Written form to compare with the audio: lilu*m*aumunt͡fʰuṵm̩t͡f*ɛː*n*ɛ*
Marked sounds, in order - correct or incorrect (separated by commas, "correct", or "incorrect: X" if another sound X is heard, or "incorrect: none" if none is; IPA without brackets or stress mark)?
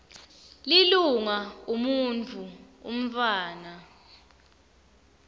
incorrect: ŋ, incorrect: aː, incorrect: a